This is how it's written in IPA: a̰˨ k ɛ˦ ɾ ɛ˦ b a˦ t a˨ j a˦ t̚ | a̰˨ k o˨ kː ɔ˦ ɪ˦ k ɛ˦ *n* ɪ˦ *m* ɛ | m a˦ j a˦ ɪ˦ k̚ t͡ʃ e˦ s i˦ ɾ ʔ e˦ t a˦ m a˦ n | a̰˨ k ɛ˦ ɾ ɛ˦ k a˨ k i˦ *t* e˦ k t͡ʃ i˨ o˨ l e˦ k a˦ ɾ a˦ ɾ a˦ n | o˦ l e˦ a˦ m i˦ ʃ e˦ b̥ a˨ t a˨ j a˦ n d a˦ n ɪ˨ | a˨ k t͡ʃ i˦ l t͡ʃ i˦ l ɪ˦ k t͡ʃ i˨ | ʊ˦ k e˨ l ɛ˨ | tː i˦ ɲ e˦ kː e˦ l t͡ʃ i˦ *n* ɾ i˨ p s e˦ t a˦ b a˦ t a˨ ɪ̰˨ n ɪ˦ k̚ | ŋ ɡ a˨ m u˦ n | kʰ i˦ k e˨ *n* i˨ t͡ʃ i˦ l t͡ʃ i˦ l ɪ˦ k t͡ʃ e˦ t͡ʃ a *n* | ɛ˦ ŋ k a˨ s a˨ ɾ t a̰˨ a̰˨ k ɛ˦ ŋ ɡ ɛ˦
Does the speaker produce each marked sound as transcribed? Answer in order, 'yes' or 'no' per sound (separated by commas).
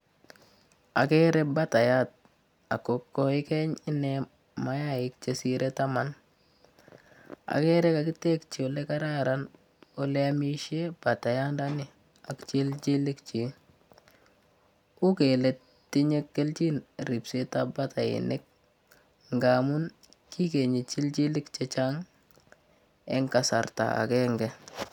no, no, yes, yes, no, no